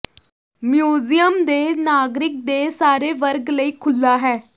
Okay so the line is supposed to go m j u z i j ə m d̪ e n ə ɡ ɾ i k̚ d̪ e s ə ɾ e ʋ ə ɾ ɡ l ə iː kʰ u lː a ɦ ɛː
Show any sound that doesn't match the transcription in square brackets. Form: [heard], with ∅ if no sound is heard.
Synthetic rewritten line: m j u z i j ə m d̪ e n [a] ɡ ɾ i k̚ d̪ e s [a] ɾ e ʋ ə ɾ ɡ l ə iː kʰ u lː a ɦ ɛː